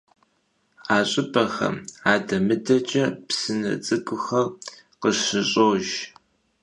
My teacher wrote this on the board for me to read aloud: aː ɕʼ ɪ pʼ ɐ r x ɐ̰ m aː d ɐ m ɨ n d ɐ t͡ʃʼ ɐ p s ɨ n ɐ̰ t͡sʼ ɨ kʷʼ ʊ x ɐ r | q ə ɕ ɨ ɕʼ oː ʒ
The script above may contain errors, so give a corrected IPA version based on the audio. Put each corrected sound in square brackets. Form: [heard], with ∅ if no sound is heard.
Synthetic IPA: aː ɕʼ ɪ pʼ ɐ [∅] x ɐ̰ m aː d ɐ m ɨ [∅] d ɐ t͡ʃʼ ɐ p s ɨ n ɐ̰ t͡sʼ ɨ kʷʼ ʊ x ɐ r | q ə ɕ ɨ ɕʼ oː ʒ